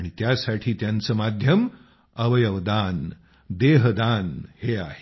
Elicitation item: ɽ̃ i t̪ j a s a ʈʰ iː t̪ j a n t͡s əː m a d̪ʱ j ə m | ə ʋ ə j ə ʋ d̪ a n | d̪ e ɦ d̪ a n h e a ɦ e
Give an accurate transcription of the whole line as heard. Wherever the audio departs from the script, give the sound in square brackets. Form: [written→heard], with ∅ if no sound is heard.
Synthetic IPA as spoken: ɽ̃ i t̪ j a s a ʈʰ iː t̪ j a n t͡s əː m a d̪ʱ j ə m | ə ʋ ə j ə ʋ d̪ a n | d̪ e ɦ d̪ a n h e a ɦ e